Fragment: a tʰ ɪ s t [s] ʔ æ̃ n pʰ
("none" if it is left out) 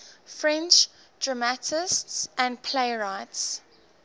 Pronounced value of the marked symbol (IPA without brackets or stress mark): s